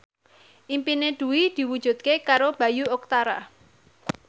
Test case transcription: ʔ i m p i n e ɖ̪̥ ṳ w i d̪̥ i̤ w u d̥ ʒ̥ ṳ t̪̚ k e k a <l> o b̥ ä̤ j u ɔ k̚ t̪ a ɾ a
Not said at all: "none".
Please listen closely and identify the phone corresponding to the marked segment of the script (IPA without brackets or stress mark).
ɾ